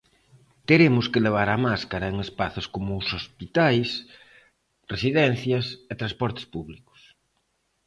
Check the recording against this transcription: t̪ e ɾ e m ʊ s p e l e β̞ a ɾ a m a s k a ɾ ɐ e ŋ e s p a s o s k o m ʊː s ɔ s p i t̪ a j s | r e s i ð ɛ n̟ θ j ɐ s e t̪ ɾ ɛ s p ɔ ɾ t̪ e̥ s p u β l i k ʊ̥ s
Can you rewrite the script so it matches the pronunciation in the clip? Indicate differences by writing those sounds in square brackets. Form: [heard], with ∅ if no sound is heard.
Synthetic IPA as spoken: t̪ e ɾ e m ʊ s [k] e l e β̞ a ɾ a m a s k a ɾ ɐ e ŋ e s p a [θ] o s k o m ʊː s [o] s p i t̪ a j s | r e s i ð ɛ n̟ θ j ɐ s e t̪ ɾ [a] s p ɔ ɾ t̪ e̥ s p u β l i k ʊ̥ s

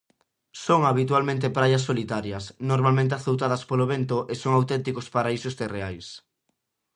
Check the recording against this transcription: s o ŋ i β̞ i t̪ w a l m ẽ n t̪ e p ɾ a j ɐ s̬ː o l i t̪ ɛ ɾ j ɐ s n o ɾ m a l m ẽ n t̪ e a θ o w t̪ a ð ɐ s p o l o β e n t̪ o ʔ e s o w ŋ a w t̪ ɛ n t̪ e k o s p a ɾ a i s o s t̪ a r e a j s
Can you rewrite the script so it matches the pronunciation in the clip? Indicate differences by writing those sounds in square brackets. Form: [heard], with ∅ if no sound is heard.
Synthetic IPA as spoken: s o ŋ [a] β̞ i t̪ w a l m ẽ n t̪ e p ɾ a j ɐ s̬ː o l i t̪ [a] ɾ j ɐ s n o ɾ m a l m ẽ n t̪ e a θ o w t̪ a ð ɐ s p o l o β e n t̪ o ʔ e s o [∅] ŋ a w t̪ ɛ n t̪ [i] k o s p a ɾ a i s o s t̪ [e] r e a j s

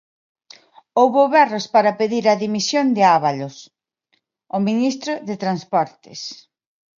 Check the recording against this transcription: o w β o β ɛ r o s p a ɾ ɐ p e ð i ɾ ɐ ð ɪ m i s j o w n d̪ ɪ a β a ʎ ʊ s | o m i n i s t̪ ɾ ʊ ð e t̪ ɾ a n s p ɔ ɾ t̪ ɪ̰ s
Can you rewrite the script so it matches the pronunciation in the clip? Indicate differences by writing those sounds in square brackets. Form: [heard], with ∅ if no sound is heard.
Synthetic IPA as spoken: o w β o β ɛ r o s p a ɾ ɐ p e ð i ɾ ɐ ð [i] m i s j o [∅] n d̪ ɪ a β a [l] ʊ s | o m i n i s t̪ ɾ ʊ ð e t̪ ɾ a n s p ɔ ɾ t̪ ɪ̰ s

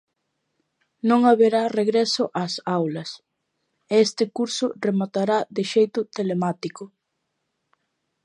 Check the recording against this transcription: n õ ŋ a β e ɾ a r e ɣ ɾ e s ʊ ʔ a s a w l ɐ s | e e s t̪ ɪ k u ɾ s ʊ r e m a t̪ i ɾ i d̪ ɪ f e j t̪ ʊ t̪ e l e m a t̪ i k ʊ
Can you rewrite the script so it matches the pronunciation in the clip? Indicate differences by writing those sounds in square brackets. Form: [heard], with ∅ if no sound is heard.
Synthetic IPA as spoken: n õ ŋ a β e ɾ a r e ɣ ɾ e s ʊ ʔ a s a w l ɐ s | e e s t̪ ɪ k u ɾ s ʊ r e m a t̪ [a] ɾ [a] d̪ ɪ [ʃ] e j t̪ ʊ t̪ e l e m a t̪ i k ʊ

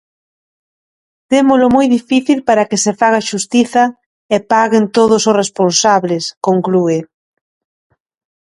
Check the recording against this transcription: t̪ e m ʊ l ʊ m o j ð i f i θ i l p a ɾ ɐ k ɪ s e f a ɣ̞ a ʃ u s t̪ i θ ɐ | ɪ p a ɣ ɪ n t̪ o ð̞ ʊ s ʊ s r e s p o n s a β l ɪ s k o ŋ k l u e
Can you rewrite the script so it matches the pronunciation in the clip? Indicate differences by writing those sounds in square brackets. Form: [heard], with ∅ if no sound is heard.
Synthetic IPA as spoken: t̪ e m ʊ l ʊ m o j ð i f i θ i l p a ɾ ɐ k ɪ s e f a ɣ̞ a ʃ u s t̪ i θ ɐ | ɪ p a ɣ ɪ n t̪ o ð̞ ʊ s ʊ s r e s p o n s a β l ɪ s k o ŋ k l u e

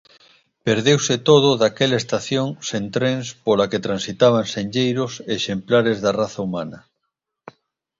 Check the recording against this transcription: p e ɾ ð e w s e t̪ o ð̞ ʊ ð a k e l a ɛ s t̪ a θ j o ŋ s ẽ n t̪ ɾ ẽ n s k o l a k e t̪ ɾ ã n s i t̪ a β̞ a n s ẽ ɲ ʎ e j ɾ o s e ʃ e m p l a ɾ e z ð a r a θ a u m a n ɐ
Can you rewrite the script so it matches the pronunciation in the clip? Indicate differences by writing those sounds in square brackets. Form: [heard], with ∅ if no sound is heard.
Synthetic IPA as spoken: p e ɾ ð e w s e t̪ o ð̞ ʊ ð a k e l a [e] s t̪ a θ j o ŋ s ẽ n t̪ ɾ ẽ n s [p] o l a k e t̪ ɾ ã n s i t̪ a β̞ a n s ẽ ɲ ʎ e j ɾ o s e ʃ e m p l a ɾ e z ð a r a θ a u m a n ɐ

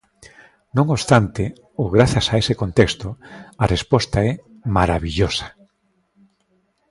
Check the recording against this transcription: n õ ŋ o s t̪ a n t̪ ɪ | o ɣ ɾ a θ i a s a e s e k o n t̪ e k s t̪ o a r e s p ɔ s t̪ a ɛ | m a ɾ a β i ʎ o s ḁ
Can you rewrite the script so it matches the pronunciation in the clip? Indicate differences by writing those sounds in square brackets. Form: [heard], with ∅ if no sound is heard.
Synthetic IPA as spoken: n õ ŋ o s t̪ a n t̪ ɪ | o ɣ ɾ a θ [j] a s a e s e k o n t̪ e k s t̪ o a r e s p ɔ s t̪ a ɛ | m a ɾ a β i ʎ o s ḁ

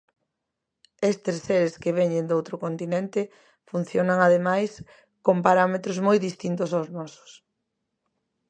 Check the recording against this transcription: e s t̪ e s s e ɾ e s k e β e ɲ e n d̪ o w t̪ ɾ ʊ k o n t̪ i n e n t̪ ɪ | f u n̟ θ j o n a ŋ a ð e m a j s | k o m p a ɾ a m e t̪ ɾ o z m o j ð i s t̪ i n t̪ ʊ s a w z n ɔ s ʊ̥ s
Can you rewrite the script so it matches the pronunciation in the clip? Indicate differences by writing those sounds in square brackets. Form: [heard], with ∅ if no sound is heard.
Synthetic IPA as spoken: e s t̪ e s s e ɾ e s k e β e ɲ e n d̪ o w t̪ ɾ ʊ k o n t̪ i n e n t̪ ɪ | f u n̟ θ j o n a ŋ a ð e m a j s | k o m p a ɾ a m e t̪ ɾ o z m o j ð i s t̪ i n t̪ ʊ s a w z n ɔ s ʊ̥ s

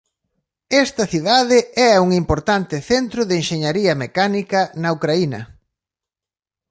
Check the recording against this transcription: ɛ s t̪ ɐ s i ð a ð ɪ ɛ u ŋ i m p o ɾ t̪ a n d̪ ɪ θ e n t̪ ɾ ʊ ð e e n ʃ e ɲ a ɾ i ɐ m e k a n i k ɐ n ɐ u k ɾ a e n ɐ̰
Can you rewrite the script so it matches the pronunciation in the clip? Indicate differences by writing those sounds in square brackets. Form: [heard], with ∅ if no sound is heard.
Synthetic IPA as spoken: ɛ s t̪ ɐ [θ] i ð a ð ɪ ɛ u ŋ i m p o ɾ t̪ a n [t̪] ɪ θ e n t̪ ɾ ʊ ð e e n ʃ e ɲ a ɾ i ɐ m e k a n i k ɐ n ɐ u k ɾ a [i] n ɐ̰

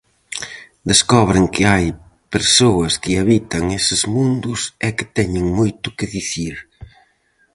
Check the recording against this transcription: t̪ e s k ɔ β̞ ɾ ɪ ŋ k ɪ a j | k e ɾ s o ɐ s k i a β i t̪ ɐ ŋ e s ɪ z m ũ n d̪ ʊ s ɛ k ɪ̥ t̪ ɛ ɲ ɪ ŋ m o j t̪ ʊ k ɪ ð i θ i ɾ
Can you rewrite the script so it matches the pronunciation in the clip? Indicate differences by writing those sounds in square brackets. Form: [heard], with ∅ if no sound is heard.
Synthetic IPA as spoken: [d̪] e s k ɔ β̞ ɾ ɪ ŋ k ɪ a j | [p] e ɾ s o ɐ s k [ɪ] a β i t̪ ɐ ŋ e s ɪ z m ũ n d̪ ʊ s ɛ k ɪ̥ t̪ ɛ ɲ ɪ ŋ m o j t̪ ʊ k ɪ ð i θ i ɾ

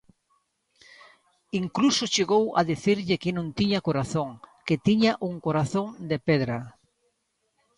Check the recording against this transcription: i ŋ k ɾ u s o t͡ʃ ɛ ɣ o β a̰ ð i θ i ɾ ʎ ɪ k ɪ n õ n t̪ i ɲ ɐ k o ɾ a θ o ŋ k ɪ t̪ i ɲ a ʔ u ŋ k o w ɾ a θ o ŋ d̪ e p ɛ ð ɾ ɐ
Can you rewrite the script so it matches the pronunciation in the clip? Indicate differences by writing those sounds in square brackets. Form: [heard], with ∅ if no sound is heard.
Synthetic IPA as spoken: i ŋ k [l] u s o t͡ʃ [e] ɣ o [w] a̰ ð i θ i ɾ ʎ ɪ k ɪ n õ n t̪ i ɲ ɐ k o ɾ a θ o ŋ k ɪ t̪ i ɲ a ʔ u ŋ k o [∅] ɾ a θ o ŋ d̪ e p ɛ ð ɾ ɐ

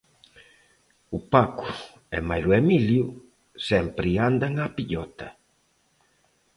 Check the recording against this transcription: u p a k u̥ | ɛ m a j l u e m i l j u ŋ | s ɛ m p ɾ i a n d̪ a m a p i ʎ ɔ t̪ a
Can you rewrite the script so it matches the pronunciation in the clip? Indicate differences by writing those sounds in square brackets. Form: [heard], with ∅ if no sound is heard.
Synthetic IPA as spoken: u p a k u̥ | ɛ m a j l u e m i l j u [∅] | s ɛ m p ɾ i a n d̪ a [ŋ] a p i ʎ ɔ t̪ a

